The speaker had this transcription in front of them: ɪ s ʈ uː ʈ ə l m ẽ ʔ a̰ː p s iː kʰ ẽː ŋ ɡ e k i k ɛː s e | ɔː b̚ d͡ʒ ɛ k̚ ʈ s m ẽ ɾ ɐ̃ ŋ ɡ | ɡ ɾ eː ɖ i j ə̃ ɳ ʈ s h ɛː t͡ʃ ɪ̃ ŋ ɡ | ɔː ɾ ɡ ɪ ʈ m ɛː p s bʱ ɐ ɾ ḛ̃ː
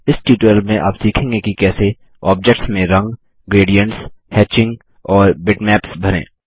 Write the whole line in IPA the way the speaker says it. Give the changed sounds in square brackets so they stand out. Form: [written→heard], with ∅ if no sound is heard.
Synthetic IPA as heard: ɪ s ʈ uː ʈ ə l m ẽ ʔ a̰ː p s iː kʰ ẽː ŋ ɡ e k i k ɛː s e | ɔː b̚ d͡ʒ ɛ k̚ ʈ s m ẽ ɾ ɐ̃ ŋ ɡ | ɡ ɾ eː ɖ i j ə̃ ɳ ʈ s h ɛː t͡ʃ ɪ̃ ŋ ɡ | ɔː ɾ [ɡ→b] ɪ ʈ m ɛː p s bʱ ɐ ɾ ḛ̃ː